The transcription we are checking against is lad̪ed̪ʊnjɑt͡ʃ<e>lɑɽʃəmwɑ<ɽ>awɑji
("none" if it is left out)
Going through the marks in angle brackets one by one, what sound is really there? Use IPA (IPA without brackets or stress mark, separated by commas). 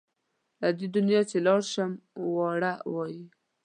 e, ɽ